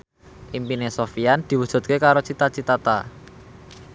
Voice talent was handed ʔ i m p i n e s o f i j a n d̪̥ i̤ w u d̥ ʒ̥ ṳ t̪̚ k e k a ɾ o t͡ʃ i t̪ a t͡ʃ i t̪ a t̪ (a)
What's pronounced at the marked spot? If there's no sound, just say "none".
a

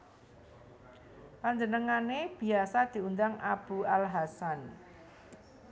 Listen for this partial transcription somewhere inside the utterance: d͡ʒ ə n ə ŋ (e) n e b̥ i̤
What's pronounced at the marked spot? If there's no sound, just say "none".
a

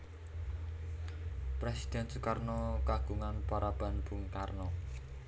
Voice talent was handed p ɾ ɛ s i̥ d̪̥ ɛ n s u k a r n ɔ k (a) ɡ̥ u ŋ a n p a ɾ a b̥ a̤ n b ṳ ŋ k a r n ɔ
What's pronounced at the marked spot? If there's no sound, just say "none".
a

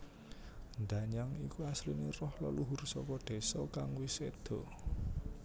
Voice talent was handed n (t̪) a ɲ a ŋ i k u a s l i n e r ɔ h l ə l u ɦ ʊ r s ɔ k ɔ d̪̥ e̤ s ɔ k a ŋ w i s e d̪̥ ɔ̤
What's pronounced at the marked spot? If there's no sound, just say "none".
d̪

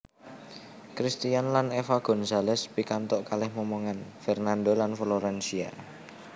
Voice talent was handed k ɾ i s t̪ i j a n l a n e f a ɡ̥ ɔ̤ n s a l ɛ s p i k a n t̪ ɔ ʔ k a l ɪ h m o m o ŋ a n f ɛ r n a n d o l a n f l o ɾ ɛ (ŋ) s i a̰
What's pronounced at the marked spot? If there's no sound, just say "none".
n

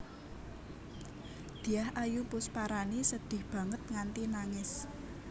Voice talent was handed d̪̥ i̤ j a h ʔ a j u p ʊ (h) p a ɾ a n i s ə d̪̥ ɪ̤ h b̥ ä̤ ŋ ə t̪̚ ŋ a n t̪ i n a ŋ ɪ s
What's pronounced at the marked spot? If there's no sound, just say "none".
s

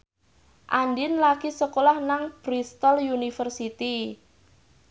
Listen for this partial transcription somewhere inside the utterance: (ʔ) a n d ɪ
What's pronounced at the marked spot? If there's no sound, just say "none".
ʔ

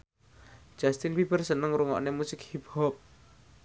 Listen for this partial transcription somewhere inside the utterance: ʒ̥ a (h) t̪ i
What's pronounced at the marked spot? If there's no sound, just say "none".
s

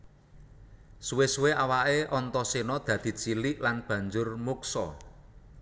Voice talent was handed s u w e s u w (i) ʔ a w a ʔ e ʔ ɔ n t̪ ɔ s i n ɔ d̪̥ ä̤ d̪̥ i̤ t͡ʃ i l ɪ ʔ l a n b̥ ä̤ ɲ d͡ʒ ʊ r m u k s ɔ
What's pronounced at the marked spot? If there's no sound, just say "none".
e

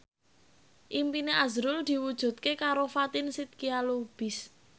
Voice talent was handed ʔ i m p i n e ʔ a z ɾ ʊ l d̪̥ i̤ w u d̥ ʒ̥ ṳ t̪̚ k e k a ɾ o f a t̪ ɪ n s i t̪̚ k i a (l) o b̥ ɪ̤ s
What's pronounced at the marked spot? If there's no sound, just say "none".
l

